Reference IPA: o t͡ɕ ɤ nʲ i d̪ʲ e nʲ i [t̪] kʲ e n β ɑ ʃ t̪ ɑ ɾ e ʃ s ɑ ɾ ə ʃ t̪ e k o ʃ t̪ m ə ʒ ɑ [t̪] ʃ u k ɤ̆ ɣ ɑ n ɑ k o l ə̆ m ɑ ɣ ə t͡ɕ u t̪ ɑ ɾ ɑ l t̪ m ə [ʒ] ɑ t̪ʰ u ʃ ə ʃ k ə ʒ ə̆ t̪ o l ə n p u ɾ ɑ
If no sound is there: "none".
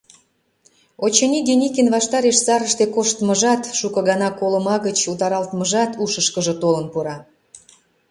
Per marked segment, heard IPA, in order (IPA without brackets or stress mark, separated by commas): none, t̪, ʒ